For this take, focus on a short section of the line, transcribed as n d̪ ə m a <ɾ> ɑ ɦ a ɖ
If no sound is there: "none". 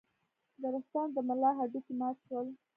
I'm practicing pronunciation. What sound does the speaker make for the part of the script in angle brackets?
l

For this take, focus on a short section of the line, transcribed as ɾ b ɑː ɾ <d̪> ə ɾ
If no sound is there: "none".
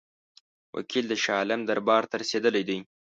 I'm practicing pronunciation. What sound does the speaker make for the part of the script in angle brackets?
t̪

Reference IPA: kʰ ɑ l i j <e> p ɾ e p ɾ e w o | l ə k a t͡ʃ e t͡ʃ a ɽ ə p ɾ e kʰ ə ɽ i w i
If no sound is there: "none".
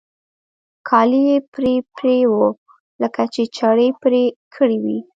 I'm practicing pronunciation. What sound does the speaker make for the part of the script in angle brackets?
e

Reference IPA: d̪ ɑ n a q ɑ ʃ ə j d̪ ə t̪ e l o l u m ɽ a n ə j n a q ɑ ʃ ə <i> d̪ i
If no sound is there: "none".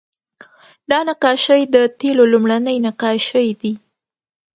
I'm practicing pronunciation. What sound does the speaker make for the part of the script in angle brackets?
j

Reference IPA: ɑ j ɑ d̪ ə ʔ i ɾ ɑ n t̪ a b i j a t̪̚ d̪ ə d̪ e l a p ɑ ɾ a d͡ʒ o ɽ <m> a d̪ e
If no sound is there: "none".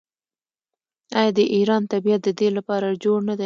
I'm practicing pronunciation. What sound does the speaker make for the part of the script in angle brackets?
n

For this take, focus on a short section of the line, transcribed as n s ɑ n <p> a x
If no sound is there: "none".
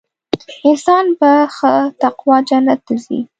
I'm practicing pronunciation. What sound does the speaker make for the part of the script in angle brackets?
b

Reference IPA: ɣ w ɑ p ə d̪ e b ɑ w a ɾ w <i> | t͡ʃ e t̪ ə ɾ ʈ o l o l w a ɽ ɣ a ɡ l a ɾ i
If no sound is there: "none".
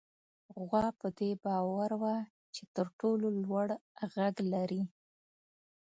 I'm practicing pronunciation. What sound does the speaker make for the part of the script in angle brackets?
a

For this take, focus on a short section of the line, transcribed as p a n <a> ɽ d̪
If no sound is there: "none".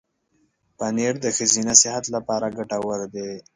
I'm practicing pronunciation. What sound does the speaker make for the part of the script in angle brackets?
e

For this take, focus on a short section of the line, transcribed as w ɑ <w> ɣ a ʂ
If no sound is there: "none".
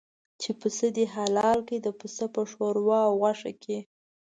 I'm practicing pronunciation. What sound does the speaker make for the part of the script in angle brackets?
w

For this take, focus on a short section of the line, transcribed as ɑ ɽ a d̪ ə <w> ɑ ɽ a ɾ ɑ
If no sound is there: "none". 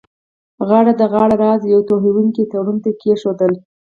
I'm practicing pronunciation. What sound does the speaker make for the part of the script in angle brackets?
ɣ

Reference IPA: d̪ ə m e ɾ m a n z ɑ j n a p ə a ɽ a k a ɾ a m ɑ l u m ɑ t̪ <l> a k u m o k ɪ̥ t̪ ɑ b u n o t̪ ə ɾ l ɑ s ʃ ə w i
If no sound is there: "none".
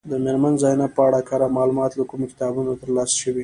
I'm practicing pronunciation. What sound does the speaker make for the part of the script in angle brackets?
l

